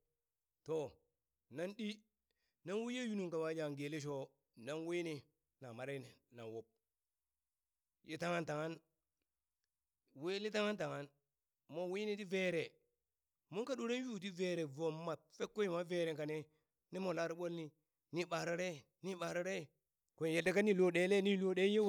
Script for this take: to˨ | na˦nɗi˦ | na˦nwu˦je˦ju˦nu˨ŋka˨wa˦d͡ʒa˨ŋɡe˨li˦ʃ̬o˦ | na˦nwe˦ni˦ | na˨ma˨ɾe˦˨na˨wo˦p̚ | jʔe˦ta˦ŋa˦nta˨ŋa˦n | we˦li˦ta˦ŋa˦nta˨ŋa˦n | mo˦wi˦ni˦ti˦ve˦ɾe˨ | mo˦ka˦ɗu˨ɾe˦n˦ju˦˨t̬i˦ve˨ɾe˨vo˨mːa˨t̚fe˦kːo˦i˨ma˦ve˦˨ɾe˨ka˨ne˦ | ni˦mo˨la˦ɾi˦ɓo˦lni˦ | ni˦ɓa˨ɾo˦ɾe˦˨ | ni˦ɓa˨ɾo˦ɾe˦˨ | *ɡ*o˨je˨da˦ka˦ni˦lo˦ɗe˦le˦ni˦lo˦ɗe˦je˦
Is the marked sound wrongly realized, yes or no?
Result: yes